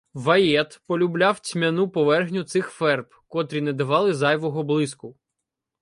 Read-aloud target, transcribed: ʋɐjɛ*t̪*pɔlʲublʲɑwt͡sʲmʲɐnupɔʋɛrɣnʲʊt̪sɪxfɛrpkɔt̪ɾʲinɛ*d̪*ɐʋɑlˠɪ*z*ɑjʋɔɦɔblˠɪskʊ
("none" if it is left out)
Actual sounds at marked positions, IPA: t̪, d̪, z

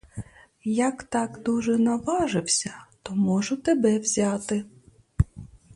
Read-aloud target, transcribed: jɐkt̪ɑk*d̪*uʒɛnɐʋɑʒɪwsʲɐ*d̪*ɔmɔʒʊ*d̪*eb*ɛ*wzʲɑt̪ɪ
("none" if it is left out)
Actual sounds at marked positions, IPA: d̪, t̪, t̪, ɛ

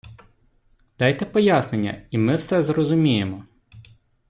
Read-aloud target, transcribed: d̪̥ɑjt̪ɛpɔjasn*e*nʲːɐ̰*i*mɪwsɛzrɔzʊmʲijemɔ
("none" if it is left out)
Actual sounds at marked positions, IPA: e, i

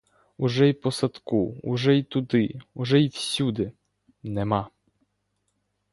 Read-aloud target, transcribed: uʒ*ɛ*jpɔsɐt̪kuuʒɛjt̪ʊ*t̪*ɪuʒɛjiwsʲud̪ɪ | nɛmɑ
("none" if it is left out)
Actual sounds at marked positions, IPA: ɛ, d̪

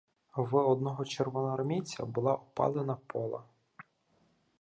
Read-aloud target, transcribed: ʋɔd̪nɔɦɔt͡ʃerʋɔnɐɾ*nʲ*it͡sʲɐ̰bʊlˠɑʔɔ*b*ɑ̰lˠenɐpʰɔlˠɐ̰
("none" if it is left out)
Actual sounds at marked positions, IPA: mʲ, p

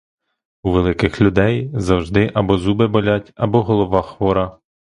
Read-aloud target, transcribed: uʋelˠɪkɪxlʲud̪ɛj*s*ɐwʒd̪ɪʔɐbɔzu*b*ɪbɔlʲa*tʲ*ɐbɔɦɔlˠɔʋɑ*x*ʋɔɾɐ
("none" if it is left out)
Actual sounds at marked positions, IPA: z, b, tʲ, x

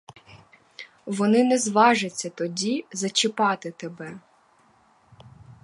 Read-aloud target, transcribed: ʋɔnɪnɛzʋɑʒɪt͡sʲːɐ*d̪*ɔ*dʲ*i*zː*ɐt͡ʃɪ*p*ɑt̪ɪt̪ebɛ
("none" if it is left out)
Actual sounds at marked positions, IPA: t̪, dʲ, z, p

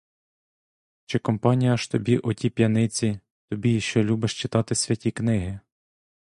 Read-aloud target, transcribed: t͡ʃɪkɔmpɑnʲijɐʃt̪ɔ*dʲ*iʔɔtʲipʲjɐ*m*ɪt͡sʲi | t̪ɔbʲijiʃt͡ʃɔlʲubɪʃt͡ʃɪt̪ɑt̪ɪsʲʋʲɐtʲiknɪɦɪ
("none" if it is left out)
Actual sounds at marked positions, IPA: bʲ, n

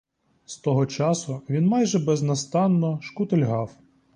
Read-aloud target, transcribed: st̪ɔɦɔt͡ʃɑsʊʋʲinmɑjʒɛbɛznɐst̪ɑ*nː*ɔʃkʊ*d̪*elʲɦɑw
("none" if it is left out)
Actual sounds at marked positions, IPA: nː, t̪

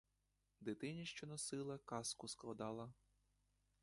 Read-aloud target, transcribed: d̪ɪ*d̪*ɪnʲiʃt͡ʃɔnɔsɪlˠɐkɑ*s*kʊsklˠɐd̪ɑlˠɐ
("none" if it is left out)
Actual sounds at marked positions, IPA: t̪, s

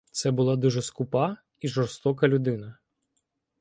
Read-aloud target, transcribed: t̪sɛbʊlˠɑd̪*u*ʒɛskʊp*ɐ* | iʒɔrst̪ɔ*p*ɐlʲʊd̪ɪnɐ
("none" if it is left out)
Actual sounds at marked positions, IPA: u, ɑ, k

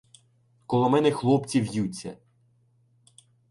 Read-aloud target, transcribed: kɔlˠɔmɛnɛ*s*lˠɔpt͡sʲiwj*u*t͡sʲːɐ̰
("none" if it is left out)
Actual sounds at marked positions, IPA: x, u

